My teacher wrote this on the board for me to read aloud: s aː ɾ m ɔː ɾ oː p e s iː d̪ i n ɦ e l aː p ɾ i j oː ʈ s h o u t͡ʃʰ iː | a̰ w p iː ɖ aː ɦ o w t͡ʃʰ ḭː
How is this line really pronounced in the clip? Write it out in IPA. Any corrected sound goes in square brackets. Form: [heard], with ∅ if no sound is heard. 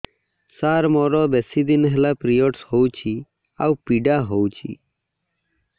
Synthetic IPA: s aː ɾ m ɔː ɾ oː [b] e s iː d̪ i n ɦ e l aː p ɾ i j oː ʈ s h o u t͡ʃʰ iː | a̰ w p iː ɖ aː ɦ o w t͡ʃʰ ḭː